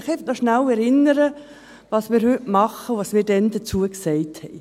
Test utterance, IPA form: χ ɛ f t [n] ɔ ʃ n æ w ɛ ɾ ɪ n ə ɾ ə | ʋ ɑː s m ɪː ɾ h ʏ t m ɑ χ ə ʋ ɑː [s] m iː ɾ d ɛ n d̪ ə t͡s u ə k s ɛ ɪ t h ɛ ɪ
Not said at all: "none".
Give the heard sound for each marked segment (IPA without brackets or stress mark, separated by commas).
n, s